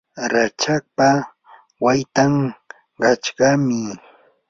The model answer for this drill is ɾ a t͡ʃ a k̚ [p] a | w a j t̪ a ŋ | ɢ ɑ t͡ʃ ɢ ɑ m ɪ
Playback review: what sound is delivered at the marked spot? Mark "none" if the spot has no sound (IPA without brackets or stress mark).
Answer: p